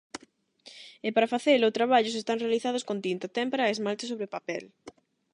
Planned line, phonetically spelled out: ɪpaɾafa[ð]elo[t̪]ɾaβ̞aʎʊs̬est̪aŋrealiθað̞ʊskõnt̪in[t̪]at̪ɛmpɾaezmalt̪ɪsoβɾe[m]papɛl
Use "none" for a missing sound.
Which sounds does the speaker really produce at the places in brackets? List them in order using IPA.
θ, t̪, t̪, none

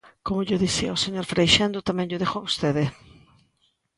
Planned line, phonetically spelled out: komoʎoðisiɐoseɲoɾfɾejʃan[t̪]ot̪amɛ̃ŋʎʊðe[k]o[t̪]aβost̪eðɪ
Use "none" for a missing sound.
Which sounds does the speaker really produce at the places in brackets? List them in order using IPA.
d̪, x, none

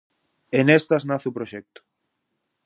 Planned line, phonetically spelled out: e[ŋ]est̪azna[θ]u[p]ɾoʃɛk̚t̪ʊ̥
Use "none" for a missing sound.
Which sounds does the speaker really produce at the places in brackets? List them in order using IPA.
n, θ, p

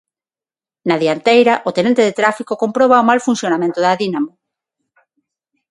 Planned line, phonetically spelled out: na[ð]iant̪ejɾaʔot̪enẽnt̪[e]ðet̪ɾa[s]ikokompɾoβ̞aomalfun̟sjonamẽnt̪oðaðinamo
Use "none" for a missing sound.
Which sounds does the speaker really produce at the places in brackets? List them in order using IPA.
ð, e, f

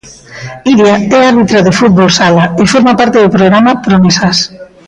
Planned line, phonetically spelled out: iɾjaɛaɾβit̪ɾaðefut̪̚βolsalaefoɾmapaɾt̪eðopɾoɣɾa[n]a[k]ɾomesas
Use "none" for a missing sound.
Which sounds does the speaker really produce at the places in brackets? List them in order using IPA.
m, p

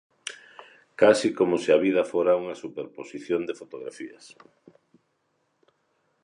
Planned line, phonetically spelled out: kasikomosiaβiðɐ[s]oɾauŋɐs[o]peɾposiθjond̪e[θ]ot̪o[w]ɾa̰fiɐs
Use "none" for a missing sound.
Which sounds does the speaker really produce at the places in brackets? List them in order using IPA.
f, u, f, ɣ

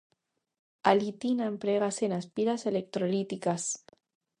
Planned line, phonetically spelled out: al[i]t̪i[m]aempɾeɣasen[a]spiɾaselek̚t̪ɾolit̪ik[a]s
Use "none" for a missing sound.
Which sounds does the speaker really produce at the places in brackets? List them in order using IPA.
i, n, a, a

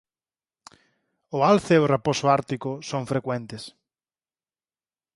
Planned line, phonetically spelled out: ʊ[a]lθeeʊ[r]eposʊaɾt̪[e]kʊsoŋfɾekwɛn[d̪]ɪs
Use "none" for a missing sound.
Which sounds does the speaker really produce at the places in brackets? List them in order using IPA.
a, r, i, t̪

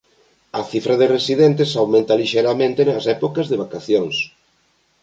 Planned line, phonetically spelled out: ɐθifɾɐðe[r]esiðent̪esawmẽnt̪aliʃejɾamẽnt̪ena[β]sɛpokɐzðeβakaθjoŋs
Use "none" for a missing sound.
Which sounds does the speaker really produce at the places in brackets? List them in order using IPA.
r, none

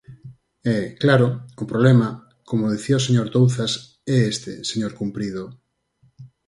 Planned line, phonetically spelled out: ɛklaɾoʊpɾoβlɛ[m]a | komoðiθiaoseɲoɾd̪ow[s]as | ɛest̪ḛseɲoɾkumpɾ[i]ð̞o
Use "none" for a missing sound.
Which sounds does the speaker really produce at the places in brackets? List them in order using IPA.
m, θ, i

